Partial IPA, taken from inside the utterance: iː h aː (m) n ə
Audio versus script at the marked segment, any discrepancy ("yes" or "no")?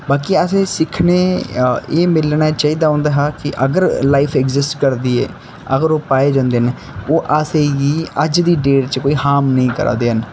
no